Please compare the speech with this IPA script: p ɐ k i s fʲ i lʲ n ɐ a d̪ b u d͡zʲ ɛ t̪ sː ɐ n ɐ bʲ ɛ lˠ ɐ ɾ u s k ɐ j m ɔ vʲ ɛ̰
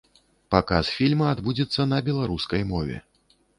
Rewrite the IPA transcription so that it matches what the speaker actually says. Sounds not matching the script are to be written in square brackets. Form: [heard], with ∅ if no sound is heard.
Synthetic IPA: p [a] k [a] s fʲ i lʲ [m] ɐ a d̪ b u d͡zʲ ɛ t̪ sː ɐ n ɐ bʲ ɛ lˠ [a] ɾ u s k ɐ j m ɔ vʲ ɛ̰